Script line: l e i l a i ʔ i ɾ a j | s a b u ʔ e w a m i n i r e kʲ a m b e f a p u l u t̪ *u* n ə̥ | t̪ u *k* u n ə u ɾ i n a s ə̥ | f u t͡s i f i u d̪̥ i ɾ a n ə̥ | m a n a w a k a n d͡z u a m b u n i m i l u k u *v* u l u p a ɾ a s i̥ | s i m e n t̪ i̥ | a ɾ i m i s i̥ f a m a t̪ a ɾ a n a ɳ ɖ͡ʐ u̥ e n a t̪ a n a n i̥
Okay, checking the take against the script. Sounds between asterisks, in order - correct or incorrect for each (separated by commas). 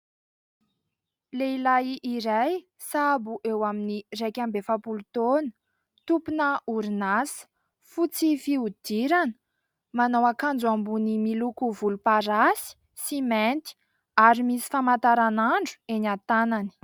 incorrect, incorrect, correct